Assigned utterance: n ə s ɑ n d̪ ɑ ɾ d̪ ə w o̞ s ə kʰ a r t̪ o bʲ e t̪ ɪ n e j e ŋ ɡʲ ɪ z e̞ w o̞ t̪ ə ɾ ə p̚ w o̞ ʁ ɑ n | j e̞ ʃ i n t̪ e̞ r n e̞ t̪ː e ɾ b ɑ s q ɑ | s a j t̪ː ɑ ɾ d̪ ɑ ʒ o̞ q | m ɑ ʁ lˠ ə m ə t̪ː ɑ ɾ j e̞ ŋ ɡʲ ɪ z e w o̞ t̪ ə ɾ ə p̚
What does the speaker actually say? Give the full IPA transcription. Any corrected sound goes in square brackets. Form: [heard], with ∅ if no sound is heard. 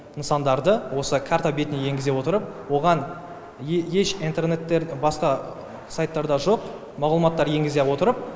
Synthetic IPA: n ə s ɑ n d̪ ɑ ɾ d̪ ə w o̞ s ə kʰ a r t̪ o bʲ e t̪ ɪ n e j e ŋ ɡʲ ɪ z e̞ w o̞ t̪ ə ɾ ə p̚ w o̞ ʁ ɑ n | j e̞ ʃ i n t̪ e̞ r n e̞ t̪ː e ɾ b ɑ s q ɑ | s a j t̪ː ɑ ɾ d̪ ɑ ʒ o̞ q | m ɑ ʁ lˠ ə m [ɑ] t̪ː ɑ ɾ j e̞ ŋ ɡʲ ɪ z e w o̞ t̪ ə ɾ ə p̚